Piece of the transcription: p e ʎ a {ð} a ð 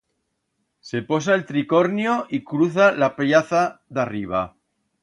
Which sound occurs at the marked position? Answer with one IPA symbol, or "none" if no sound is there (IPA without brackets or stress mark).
θ